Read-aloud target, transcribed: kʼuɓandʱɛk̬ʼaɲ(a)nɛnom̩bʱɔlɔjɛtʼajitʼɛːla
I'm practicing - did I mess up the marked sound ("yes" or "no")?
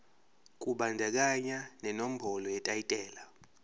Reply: no